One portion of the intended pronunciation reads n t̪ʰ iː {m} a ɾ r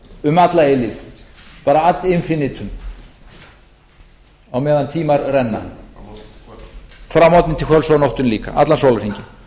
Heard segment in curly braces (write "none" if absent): m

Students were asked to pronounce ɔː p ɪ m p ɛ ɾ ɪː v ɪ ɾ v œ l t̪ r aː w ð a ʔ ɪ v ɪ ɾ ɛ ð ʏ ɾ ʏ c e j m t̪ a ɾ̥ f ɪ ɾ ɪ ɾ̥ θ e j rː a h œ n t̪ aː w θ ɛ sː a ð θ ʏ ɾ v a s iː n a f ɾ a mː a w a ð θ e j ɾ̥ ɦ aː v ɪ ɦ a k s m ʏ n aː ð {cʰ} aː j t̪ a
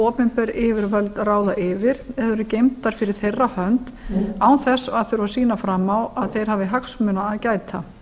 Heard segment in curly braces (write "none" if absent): c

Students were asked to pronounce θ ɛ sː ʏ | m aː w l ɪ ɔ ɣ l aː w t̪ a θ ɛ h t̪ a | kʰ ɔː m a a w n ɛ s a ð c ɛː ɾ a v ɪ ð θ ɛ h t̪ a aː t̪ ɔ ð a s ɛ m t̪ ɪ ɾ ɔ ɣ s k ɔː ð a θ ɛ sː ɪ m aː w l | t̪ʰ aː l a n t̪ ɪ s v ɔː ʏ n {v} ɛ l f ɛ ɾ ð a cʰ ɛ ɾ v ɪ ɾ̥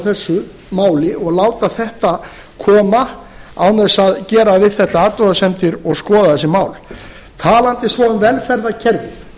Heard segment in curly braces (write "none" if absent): v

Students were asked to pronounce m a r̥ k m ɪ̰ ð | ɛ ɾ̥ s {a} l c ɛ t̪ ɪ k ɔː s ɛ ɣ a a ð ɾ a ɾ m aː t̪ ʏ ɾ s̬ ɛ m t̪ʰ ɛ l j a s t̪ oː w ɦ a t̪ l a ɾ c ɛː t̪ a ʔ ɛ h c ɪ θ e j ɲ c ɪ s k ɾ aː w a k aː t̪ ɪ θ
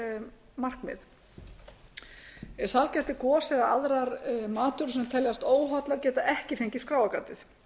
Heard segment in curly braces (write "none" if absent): a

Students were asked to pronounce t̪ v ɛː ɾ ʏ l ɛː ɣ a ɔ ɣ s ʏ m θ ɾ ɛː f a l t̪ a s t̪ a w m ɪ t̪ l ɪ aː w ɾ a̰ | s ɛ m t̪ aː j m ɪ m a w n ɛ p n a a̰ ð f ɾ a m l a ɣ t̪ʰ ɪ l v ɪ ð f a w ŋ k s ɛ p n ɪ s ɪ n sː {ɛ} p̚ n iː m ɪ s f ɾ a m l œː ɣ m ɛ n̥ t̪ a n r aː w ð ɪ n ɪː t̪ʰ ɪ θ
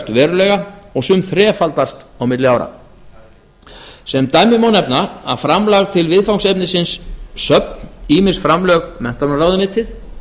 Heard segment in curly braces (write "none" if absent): œ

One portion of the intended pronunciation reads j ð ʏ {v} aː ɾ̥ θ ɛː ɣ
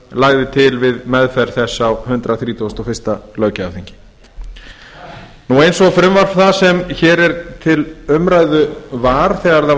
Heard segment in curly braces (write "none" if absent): v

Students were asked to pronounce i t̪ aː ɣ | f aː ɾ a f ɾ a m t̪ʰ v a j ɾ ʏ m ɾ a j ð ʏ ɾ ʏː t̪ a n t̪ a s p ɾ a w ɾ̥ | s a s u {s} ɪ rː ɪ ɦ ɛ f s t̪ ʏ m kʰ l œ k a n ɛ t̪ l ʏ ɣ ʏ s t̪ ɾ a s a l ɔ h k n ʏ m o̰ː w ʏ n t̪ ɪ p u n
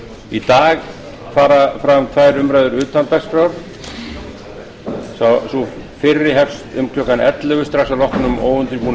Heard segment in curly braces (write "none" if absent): f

